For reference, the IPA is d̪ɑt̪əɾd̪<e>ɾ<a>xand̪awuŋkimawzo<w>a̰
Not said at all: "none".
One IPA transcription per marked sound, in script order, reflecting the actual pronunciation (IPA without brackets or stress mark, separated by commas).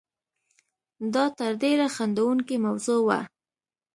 e, a, w